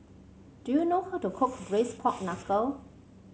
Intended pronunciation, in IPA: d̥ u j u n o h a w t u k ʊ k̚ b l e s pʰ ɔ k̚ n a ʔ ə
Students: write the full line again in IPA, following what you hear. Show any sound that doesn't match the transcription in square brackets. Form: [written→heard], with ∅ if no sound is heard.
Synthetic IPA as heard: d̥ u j u n o h a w t u [k→kʰ] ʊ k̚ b [l→ɹ] e s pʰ ɔ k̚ n a [ʔ→k] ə

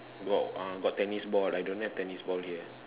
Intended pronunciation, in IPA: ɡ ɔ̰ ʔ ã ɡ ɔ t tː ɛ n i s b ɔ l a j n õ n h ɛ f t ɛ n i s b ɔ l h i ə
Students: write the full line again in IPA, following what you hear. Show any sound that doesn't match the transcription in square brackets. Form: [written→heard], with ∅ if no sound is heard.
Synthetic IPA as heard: ɡ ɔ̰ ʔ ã ɡ ɔ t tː ɛ n i s b ɔ l a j [n→d] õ n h ɛ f t ɛ n i s b ɔ l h i ə

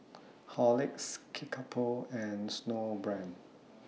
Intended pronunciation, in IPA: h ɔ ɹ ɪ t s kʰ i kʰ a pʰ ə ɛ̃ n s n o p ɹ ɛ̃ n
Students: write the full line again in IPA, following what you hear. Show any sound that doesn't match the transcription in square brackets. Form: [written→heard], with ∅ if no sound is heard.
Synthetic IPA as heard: h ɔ [ɹ→l] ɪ [t→k] s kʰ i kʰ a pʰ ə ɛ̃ n s n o [p→b] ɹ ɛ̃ n

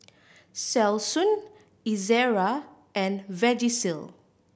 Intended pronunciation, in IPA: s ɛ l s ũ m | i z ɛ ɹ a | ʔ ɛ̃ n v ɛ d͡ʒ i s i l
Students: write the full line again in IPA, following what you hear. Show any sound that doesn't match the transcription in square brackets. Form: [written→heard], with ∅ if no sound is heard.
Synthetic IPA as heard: s ɛ l s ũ [m→n] | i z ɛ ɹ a | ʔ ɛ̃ n v ɛ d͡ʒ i s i l

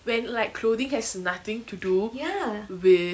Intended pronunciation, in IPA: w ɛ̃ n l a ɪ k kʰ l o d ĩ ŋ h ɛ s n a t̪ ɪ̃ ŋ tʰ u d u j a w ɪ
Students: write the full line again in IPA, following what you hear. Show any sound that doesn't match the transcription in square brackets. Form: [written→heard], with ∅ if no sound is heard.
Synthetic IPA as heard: w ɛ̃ n l a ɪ k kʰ l o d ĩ ŋ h ɛ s n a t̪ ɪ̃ ŋ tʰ u d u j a w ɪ

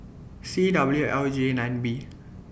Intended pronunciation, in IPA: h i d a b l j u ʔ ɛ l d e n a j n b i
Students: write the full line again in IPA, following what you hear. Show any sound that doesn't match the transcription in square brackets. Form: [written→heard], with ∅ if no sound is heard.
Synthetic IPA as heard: [h→s] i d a b l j u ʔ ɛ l [d→d͡ʒ] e n a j n b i

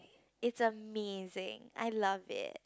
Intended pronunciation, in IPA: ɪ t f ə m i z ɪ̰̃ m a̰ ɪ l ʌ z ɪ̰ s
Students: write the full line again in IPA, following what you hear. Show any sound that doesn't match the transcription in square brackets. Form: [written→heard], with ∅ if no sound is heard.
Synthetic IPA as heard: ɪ t [f→s] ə m [i→e] z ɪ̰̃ [m→ŋ] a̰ ɪ l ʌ [z→v] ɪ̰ [s→t]

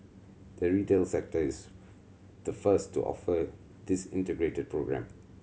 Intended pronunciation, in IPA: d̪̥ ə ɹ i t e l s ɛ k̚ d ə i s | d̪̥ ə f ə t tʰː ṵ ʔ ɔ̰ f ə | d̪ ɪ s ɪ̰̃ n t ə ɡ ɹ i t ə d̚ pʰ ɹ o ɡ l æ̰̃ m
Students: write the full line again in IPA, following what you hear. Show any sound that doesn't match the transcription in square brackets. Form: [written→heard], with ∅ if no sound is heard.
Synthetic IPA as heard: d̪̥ ə ɹ i t e l s ɛ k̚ [d→t] ə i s | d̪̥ ə f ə [t→s] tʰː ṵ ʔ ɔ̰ f ə | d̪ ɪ s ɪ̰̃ n t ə ɡ ɹ [i→e] t ə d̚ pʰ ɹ o ɡ [l→ɹ] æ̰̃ m

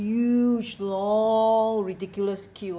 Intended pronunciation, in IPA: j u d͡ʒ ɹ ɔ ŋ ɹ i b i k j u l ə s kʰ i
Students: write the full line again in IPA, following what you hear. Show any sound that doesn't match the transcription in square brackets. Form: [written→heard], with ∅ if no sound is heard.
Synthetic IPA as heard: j u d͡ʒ [ɹ→l] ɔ ŋ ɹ i [b→d] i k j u l ə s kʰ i

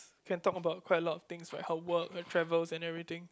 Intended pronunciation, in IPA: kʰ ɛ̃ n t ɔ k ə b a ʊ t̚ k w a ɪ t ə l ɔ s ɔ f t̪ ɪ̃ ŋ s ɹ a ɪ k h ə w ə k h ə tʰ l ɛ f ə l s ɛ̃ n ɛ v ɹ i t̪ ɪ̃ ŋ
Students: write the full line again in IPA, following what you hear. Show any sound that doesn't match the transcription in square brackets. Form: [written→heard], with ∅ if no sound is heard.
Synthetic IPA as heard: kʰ ɛ̃ n t ɔ k ə b a ʊ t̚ k w a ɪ t ə l ɔ [s→t] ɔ f t̪ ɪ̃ ŋ s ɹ a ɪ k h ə w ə k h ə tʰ [l→ɹ] ɛ [f→v] ə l s ɛ̃ n ɛ v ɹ i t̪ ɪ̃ ŋ

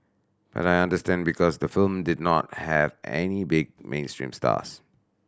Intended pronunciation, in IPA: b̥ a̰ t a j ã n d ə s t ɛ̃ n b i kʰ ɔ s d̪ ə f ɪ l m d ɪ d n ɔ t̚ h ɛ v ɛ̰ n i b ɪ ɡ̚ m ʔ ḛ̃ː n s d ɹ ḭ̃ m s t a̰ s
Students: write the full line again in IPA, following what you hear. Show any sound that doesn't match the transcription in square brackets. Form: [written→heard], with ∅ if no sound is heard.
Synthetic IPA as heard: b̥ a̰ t a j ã n d ə s t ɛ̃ n b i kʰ ɔ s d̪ ə f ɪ l m d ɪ d n ɔ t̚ h ɛ v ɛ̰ n i b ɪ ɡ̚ m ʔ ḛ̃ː n s [d→t] ɹ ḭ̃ m s t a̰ s

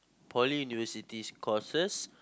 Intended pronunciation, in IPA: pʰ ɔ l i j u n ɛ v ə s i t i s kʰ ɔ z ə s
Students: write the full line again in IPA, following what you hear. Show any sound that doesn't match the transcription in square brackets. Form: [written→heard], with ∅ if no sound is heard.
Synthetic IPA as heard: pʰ ɔ l i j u n [ɛ→i] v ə s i t i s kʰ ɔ [z→s] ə s

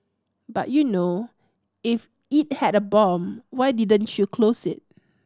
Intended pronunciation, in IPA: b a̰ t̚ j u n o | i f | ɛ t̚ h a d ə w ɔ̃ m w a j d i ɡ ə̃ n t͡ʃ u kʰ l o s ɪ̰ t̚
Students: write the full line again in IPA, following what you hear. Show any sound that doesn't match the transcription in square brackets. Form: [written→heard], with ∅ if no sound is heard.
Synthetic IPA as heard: b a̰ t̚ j u n o | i f | [ɛ→i] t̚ h [a→ɛ] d ə [w→b] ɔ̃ m w a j d i [ɡ→d] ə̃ n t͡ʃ u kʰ l o s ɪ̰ t̚

